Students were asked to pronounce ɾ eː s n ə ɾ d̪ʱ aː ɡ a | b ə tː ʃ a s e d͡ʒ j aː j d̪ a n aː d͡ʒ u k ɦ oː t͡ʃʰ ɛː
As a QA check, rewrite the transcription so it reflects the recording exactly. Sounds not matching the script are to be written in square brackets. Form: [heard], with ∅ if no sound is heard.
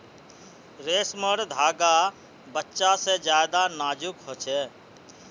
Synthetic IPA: ɾ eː s [m] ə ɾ d̪ʱ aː ɡ a | b ə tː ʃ a s e d͡ʒ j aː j d̪ a n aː d͡ʒ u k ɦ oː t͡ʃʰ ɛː